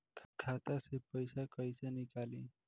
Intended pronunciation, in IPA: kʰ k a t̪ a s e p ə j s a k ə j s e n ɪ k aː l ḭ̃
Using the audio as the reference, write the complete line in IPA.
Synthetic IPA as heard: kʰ kʰ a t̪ a s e p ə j s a k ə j s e n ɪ k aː l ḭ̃